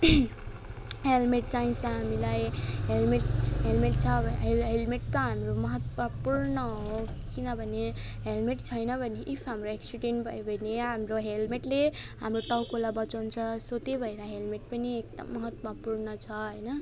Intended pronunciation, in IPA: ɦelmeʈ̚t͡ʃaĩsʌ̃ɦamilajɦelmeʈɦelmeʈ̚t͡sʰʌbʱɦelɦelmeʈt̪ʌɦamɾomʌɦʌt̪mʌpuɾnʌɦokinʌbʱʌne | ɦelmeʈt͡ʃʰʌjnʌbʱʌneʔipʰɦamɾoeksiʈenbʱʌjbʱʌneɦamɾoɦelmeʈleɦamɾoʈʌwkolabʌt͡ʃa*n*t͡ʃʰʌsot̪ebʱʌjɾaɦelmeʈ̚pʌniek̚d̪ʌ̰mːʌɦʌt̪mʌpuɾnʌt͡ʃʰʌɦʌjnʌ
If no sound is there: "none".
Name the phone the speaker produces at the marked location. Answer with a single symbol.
n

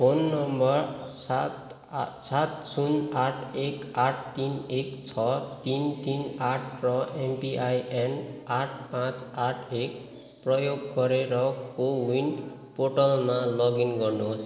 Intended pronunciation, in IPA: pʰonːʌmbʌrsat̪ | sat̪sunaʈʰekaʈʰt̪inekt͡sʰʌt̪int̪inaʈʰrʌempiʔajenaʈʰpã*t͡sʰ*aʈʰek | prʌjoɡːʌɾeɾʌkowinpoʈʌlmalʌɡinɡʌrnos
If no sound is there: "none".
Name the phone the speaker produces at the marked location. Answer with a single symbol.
t͡s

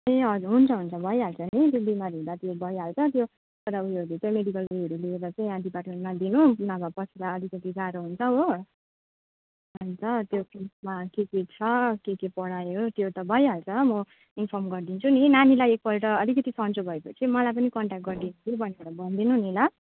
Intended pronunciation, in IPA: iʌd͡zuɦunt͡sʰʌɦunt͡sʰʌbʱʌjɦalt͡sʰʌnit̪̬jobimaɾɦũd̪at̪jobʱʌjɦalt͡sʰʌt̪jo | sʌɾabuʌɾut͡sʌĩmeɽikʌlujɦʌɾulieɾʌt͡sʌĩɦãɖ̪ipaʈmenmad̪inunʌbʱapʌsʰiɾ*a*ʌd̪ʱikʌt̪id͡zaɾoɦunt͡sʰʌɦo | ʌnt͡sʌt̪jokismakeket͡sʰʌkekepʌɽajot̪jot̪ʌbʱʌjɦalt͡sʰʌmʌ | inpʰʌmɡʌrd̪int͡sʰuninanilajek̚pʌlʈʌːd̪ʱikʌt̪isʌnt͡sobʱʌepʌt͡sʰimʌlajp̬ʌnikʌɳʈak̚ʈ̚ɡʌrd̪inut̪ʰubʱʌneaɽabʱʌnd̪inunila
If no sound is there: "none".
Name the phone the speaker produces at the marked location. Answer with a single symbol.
a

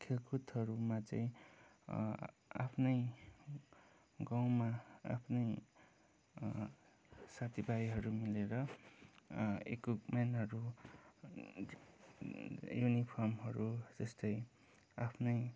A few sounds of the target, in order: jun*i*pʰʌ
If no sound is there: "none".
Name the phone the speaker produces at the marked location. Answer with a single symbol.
i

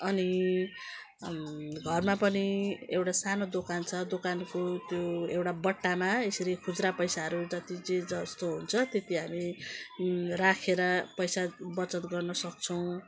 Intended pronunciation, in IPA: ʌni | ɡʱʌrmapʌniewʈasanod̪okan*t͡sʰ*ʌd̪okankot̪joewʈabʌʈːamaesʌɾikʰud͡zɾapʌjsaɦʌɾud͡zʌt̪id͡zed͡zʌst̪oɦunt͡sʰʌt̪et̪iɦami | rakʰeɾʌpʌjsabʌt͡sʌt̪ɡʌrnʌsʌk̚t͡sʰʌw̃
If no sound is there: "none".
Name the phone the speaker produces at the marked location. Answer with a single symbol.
t͡sʰ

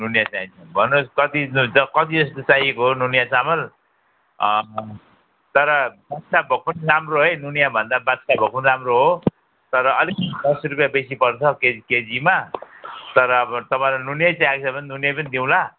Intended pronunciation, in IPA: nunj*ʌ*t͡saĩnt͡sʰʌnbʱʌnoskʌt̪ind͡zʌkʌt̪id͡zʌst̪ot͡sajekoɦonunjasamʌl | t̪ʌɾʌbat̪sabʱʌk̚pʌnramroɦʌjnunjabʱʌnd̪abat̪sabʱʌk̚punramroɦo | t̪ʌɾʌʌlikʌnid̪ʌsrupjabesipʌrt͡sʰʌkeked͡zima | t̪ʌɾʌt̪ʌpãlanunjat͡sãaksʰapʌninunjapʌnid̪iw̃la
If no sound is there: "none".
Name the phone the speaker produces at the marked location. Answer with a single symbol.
a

